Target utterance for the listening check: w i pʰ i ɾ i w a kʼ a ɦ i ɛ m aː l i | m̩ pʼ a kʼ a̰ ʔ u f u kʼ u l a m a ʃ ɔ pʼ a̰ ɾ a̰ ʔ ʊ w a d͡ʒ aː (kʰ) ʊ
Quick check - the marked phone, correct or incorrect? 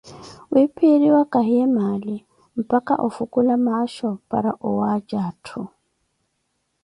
incorrect: tʰ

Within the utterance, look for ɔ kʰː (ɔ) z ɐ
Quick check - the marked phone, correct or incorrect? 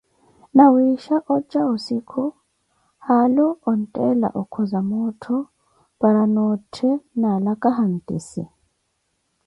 correct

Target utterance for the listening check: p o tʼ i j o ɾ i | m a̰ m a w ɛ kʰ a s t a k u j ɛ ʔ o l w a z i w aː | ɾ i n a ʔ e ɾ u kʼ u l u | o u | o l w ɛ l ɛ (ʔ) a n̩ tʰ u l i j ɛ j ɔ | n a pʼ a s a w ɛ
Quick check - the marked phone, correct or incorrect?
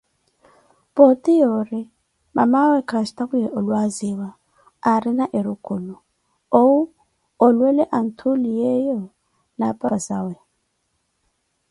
correct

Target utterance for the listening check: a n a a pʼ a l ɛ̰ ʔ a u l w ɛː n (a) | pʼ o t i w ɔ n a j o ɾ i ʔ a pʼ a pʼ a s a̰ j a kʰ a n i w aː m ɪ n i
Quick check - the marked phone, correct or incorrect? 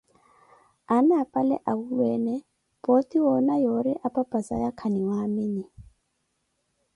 incorrect: ɛ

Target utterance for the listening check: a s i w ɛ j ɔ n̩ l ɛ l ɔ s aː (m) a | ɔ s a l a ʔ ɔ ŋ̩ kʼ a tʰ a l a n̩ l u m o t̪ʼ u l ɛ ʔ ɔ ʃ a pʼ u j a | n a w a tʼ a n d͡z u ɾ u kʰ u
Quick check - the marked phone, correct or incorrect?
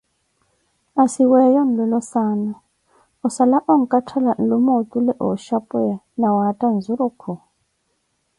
incorrect: n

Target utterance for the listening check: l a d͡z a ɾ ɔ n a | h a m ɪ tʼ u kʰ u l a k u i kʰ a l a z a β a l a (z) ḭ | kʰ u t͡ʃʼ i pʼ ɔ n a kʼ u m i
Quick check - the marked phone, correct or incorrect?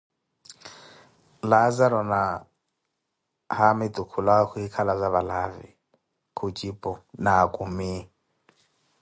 incorrect: v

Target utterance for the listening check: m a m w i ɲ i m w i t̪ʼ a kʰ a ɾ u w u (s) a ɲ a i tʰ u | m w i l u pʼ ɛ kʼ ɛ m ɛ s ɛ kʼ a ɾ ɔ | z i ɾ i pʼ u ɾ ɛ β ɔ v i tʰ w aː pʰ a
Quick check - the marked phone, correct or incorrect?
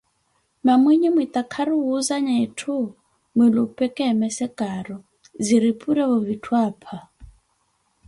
incorrect: z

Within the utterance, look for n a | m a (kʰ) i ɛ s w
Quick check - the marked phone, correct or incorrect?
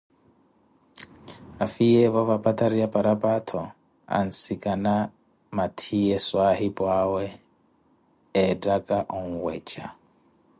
incorrect: tʰ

